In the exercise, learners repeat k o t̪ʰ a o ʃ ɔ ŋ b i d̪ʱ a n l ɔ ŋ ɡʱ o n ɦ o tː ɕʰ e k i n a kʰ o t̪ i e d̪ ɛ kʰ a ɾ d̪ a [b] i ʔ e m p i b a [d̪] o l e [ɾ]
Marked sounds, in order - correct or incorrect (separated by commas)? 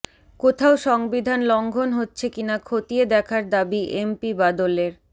correct, correct, correct